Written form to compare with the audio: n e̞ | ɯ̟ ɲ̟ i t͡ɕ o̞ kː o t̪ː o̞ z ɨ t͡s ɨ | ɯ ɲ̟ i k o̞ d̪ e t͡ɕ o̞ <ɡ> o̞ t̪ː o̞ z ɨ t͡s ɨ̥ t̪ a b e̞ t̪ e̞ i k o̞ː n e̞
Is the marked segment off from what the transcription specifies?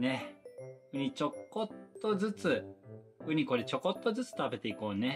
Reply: yes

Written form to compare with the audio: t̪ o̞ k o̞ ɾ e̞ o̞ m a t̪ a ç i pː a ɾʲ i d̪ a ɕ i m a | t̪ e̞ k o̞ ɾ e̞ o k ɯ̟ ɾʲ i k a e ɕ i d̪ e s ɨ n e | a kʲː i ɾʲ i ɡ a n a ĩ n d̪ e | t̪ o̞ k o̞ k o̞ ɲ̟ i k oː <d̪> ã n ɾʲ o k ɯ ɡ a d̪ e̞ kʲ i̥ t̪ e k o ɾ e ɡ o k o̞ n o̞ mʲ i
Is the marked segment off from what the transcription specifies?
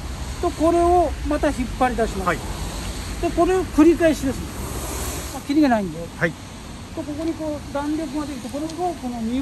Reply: no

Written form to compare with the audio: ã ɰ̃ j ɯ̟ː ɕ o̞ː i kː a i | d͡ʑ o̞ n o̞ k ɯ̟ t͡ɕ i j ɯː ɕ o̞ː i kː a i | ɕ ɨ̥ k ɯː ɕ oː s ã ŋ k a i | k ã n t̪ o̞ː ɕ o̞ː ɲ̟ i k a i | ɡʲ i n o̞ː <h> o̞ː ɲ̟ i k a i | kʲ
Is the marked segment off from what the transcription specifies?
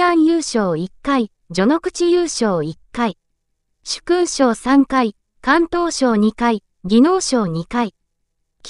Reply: yes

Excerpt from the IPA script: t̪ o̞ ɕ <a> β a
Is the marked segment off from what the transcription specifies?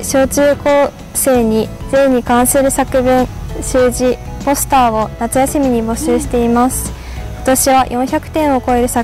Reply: yes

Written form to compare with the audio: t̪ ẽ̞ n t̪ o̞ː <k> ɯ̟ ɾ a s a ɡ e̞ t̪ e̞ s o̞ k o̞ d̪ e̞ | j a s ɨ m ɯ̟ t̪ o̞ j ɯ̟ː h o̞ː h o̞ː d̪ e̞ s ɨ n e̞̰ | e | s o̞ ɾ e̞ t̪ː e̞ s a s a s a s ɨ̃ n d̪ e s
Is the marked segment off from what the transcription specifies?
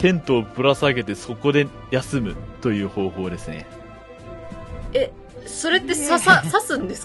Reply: yes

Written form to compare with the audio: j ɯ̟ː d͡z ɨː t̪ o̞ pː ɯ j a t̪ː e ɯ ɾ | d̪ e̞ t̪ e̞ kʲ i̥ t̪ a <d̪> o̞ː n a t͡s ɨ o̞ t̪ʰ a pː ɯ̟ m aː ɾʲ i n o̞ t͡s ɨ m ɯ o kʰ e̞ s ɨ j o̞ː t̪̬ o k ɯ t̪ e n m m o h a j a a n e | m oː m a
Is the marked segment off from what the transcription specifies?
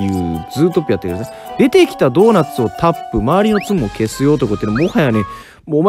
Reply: no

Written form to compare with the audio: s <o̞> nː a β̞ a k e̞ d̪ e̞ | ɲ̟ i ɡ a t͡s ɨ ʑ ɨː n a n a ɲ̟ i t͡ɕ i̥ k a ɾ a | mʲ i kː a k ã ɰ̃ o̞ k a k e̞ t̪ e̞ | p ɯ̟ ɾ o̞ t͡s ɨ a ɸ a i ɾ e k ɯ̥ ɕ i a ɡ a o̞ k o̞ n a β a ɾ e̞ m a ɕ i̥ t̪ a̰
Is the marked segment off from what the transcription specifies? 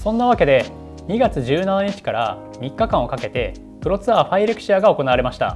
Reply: yes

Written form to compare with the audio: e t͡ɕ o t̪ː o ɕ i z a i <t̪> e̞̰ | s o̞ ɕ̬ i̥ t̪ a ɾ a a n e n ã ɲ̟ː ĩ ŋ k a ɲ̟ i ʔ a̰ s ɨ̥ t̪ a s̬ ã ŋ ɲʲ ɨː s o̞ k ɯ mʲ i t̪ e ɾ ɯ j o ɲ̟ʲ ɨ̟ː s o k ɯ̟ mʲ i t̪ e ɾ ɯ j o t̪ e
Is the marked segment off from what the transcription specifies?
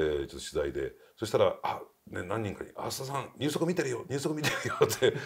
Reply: yes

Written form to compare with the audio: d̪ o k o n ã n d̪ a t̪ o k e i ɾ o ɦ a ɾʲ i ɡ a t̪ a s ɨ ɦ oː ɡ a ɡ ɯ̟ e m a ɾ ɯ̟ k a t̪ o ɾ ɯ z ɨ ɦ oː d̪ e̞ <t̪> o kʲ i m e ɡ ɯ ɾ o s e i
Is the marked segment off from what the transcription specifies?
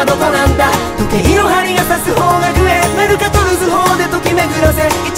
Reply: no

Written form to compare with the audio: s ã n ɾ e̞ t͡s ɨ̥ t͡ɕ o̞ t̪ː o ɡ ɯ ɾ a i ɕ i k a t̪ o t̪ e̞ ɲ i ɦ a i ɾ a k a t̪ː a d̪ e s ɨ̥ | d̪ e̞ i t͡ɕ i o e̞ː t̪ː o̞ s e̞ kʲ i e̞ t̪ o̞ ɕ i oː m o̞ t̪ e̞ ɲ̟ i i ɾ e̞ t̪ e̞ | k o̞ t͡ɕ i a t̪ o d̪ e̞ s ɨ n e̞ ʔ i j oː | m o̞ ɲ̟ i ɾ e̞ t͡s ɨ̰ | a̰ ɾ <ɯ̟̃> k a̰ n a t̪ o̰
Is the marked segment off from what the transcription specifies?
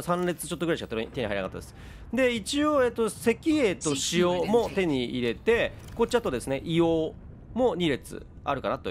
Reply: yes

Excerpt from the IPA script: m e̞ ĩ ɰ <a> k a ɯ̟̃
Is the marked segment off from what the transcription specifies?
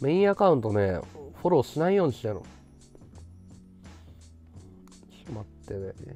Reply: no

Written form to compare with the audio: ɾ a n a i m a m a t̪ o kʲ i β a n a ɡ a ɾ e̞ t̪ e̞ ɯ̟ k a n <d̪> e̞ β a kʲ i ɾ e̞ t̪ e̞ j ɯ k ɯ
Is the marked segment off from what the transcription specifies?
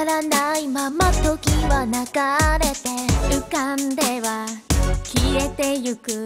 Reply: no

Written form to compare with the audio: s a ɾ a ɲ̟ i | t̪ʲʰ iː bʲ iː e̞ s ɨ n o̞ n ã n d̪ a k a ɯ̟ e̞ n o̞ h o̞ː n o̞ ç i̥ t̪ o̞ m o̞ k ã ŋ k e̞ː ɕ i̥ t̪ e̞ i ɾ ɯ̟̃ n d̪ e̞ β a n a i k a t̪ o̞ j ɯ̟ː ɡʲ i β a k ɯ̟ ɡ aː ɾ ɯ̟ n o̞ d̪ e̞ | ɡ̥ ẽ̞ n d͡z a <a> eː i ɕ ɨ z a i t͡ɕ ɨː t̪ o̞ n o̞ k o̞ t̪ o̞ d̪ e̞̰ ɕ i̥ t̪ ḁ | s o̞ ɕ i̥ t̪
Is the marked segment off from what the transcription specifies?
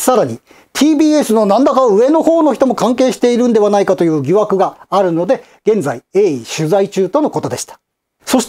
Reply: yes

